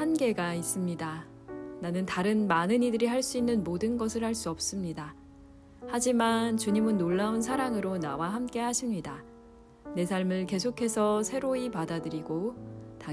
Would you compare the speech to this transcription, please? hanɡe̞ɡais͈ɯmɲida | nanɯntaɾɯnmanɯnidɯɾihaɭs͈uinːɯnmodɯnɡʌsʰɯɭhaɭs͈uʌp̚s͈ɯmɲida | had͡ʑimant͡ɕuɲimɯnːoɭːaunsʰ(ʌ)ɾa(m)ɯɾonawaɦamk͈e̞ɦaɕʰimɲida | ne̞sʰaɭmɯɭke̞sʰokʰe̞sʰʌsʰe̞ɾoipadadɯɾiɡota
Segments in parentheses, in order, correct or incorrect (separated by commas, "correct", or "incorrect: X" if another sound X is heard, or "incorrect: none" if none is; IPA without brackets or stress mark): incorrect: a, incorrect: ŋ